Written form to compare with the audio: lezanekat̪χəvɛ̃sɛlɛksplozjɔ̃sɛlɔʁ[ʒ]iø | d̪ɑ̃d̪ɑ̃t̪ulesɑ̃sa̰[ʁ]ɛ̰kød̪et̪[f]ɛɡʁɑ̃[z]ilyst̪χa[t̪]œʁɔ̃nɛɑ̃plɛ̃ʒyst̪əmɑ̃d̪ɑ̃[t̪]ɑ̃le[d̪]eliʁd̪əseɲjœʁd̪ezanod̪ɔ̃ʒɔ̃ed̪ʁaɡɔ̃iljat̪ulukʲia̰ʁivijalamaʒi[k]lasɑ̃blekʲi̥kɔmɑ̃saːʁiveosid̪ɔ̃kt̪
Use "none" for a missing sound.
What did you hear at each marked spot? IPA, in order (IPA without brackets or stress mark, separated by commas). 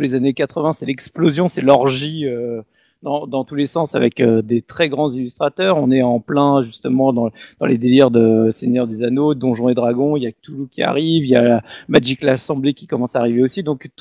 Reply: ʒ, v, χ, z, t̪, d̪, d̪, k